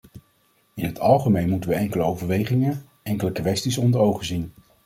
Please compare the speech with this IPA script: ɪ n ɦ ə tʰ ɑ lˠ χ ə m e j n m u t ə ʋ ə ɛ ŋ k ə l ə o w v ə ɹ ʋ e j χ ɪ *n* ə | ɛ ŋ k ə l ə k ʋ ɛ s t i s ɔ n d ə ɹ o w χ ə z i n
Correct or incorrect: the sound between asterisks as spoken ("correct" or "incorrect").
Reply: incorrect